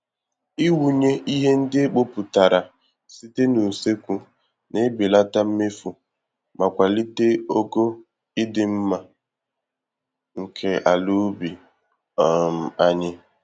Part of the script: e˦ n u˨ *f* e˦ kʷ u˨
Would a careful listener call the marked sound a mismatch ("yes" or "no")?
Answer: yes